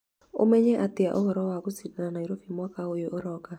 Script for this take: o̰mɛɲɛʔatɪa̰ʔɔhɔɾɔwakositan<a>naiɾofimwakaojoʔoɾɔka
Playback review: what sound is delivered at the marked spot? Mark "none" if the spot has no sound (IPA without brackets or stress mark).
a